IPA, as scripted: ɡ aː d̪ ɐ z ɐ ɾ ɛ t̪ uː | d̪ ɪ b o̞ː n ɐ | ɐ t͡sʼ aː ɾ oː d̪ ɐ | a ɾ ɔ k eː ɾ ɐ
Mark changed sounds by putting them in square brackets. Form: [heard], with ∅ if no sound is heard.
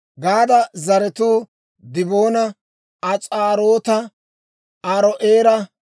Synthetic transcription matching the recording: ɡ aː d̪ ɐ z ɐ ɾ ɛ t̪ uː | d̪ ɪ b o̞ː n ɐ | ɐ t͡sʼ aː ɾ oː [t̪] ɐ | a ɾ ɔ [ʔ] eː ɾ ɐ